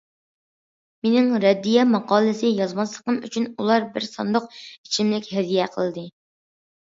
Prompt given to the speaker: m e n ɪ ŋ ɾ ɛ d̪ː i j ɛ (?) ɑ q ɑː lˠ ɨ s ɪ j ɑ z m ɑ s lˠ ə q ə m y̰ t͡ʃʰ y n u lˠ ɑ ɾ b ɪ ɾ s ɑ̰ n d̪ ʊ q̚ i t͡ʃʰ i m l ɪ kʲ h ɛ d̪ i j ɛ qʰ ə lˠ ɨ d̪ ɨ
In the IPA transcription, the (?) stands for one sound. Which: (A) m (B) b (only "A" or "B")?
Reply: A